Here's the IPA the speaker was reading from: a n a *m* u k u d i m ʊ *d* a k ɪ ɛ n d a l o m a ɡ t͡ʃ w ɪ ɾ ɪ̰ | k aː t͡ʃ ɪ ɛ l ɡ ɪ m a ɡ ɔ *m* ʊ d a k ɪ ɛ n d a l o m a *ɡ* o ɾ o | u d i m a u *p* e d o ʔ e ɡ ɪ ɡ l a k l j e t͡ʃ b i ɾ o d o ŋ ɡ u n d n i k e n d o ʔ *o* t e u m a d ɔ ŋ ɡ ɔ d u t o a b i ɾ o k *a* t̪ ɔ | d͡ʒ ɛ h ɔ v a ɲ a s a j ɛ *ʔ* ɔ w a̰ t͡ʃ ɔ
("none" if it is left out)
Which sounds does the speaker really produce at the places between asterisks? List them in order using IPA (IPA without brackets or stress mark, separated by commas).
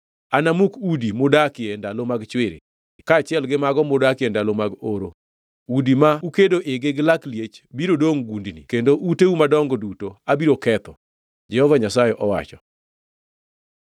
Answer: m, d, m, ɡ, k, u, ɛ, ʔ